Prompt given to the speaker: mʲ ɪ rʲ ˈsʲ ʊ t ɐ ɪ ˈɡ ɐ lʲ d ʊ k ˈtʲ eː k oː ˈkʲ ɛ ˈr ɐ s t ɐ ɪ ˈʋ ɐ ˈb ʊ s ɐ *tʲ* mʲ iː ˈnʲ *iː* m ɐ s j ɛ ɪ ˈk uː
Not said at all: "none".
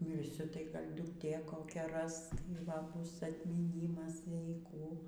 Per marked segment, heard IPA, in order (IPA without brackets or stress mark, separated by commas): tʲ, iː